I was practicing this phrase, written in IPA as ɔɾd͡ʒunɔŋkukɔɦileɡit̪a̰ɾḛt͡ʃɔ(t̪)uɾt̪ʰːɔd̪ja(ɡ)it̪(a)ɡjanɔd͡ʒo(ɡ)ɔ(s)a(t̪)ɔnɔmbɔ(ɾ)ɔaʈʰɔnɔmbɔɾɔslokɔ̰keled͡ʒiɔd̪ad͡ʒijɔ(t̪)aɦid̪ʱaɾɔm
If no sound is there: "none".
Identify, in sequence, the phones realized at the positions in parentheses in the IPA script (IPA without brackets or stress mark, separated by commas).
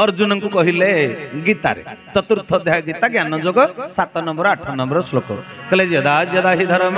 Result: t̪, ɡ, a, ɡ, s, t̪, ɾ, d̪